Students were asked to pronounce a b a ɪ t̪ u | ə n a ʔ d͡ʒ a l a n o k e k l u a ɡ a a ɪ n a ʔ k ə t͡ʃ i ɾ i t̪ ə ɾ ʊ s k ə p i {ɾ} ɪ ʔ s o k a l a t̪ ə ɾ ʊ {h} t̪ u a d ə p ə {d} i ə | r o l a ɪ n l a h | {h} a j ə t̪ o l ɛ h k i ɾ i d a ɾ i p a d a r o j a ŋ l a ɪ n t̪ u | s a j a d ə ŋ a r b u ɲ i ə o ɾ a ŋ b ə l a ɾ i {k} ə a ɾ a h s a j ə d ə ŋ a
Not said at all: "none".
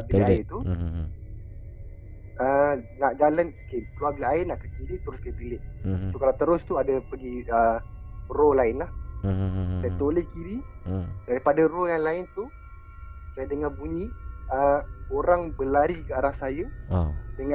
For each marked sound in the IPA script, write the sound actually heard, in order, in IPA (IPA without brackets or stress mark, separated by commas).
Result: l, s, ɡ, s, k